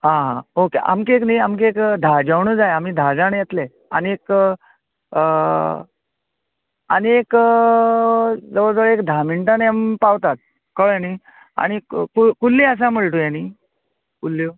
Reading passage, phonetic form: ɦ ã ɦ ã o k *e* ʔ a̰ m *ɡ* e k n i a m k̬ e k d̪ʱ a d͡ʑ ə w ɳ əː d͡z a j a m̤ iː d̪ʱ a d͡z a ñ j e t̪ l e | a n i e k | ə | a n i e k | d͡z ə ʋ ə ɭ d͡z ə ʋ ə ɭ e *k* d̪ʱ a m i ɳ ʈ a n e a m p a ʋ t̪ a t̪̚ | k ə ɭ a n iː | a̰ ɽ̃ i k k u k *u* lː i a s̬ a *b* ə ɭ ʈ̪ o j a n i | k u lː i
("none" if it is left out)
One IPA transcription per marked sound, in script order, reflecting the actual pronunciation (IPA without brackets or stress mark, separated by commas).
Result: e, k, k, u, m